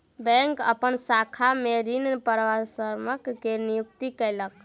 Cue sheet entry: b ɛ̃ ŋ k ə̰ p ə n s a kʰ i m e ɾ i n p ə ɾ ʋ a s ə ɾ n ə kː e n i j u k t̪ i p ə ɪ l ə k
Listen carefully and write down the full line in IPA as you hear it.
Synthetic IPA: b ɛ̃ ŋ k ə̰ p ə n s a kʰ a m e ɾ i n p ə ɾ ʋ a s ə ɾ m ə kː e n i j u k t̪ i k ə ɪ l ə k